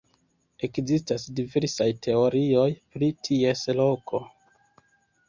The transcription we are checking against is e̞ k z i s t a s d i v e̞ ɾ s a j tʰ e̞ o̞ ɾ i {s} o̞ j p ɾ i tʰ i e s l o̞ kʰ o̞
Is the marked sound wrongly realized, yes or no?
yes